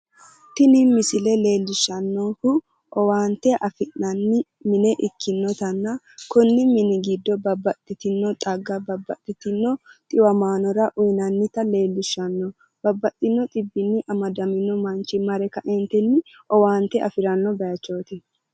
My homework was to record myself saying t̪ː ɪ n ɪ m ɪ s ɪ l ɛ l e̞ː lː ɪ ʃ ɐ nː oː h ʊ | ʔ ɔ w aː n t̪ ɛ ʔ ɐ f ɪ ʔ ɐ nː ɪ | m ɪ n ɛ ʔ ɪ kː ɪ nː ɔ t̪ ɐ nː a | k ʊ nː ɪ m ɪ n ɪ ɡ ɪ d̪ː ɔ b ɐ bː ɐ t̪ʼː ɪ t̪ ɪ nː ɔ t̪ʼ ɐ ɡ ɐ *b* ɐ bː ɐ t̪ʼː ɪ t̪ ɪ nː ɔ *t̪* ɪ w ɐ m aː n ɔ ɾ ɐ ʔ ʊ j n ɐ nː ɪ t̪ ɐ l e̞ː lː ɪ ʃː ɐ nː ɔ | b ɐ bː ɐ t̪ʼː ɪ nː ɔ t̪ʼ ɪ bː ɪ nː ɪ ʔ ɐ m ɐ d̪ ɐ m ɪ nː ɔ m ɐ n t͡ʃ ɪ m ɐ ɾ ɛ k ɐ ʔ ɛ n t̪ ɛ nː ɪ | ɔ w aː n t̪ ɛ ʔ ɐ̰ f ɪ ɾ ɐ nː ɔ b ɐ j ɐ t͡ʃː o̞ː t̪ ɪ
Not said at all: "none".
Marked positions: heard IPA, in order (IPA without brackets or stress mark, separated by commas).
b, t̪ʼ